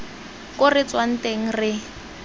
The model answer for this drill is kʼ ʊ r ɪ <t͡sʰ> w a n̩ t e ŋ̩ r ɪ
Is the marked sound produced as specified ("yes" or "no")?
no